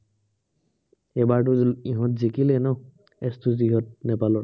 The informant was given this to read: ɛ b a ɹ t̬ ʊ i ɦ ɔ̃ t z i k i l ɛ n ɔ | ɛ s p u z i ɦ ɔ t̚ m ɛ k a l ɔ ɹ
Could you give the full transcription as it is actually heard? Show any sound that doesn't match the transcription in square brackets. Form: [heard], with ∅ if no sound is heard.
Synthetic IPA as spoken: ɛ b a ɹ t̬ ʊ i ɦ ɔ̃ t z i k i l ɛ n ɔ | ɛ s [t] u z i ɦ ɔ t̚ [n] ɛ [p] a l ɔ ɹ